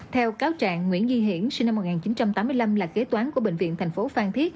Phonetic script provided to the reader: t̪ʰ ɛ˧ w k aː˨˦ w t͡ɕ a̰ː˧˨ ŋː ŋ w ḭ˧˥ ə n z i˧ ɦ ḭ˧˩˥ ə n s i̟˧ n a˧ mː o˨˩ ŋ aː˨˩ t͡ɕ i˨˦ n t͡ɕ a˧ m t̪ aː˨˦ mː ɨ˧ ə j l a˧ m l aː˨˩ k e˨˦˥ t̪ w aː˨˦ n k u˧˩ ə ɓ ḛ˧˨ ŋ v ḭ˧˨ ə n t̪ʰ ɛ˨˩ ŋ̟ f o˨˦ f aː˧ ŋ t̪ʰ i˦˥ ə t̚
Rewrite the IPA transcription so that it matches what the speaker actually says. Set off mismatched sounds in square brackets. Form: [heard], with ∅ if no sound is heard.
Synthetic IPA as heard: t̪ʰ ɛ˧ w k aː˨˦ w t͡ɕ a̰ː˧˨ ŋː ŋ w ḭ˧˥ ə n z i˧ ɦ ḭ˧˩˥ ə n s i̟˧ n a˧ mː o˨˩ ŋ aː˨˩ t͡ɕ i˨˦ n t͡ɕ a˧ m t̪ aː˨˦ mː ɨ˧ ə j l a˧ m l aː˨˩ k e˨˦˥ t̪ w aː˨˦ n k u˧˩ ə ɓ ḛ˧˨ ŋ v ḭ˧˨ ə n t̪ʰ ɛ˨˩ ŋ̟ f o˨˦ f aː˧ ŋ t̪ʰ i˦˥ ə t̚